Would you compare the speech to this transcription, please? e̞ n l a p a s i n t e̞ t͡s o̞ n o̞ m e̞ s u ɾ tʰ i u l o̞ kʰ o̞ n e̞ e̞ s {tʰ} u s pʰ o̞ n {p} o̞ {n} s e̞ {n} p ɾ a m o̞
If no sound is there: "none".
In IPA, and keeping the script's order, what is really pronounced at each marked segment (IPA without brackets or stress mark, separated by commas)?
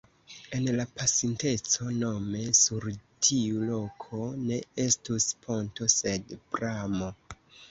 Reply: t, t, none, d